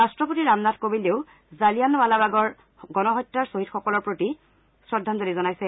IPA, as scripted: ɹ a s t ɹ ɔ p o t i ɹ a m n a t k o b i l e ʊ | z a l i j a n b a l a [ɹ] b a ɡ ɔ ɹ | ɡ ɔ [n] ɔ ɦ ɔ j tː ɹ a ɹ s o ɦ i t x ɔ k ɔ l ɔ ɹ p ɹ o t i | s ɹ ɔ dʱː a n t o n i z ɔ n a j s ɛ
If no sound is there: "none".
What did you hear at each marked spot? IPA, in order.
none, n

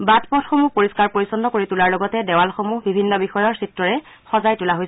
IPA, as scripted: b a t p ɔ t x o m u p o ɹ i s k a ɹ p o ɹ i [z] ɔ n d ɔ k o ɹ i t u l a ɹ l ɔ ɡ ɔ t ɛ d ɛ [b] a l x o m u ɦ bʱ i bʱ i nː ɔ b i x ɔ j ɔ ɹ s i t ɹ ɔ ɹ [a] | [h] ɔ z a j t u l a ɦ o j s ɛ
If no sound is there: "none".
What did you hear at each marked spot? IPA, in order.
s, w, ɛ, x

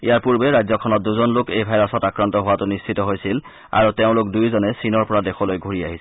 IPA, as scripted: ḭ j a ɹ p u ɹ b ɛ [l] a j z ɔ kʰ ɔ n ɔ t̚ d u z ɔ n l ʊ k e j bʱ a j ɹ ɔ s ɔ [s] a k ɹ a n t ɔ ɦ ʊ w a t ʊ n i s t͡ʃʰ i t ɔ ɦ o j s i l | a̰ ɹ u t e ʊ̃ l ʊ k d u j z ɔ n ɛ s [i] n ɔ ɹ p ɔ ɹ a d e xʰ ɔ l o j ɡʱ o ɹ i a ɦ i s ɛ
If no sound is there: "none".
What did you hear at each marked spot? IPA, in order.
ɹ, t, i

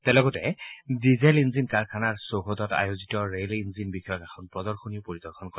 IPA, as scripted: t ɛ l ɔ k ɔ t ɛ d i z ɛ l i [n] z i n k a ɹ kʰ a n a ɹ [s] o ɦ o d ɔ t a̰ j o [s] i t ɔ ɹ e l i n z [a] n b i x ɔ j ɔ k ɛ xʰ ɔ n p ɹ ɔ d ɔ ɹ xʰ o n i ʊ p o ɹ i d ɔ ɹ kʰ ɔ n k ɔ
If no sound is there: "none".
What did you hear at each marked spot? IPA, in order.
n, s, z, i

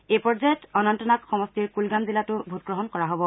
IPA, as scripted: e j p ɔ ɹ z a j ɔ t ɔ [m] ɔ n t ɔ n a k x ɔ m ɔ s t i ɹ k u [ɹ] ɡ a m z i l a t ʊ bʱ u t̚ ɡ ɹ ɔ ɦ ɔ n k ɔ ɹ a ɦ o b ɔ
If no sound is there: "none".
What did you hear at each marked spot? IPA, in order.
n, l

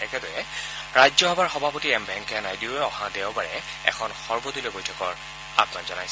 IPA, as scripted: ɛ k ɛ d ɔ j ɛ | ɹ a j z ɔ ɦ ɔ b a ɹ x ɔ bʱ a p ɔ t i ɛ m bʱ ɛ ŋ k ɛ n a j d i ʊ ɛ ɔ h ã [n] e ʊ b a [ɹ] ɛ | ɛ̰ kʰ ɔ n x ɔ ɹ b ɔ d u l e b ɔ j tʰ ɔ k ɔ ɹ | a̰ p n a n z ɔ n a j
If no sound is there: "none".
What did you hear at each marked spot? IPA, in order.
d, ɹ

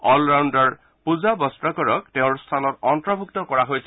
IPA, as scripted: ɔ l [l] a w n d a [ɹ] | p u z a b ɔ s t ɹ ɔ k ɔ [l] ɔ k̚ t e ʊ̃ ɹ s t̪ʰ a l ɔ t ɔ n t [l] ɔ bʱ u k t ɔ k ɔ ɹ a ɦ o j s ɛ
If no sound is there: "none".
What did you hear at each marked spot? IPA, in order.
ɹ, ɹ, ɹ, ɹ

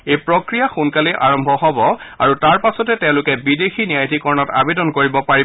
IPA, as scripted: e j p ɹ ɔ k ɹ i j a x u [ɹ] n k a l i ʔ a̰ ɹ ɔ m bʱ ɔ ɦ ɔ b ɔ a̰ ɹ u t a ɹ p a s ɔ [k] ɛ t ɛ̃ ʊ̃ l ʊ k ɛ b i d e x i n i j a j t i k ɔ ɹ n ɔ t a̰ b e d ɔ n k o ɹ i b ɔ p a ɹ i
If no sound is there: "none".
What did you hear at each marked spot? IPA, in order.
none, t

